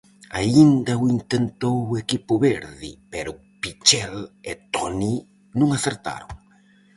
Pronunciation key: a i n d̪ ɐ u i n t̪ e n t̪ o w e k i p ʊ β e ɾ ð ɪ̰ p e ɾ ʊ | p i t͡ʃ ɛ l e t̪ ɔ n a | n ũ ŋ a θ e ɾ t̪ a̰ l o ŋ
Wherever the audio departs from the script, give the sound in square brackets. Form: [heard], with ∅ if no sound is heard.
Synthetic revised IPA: a i n d̪ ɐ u i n t̪ e n t̪ o w e k i p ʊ β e ɾ ð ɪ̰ p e ɾ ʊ | p i t͡ʃ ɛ l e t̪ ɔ n [i] | n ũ ŋ a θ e ɾ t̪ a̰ [ɾ] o ŋ